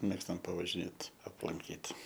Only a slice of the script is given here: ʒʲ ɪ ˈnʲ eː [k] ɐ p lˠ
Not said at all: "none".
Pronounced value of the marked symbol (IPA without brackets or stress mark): t